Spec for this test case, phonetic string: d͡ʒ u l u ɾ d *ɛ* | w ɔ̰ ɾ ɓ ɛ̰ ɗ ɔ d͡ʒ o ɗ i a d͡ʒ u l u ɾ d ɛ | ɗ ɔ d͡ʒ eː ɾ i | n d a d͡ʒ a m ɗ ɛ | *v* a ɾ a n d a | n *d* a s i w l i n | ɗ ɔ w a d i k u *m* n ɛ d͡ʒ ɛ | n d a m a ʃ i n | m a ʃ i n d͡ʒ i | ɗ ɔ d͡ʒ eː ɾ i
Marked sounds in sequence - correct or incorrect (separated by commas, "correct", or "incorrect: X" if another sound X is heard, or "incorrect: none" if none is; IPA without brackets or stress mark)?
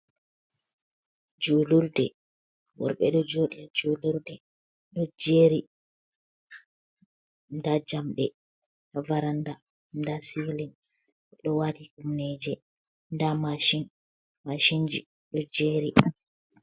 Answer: correct, correct, correct, correct